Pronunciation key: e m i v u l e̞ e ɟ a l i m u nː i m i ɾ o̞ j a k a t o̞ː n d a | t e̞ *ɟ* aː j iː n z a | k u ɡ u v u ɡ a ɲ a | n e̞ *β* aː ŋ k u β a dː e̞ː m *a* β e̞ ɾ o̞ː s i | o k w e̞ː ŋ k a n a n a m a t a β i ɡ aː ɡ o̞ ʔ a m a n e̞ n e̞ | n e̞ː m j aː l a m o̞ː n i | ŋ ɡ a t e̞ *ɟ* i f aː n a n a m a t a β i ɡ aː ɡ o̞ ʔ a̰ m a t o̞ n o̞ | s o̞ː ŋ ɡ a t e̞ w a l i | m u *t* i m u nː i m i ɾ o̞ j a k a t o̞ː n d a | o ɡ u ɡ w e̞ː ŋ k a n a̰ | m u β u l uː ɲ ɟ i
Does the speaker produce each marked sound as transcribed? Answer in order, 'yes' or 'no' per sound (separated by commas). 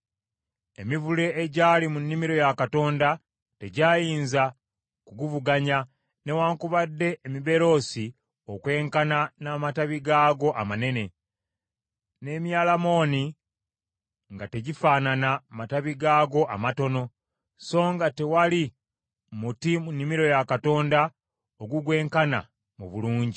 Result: yes, no, no, yes, yes